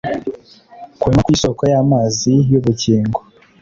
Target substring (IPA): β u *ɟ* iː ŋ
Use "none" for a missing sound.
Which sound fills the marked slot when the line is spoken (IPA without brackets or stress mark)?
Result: c